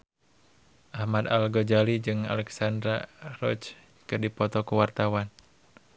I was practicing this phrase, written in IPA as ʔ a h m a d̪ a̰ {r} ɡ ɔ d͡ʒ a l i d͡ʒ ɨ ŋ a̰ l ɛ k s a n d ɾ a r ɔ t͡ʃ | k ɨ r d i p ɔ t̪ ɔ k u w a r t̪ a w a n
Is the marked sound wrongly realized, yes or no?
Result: yes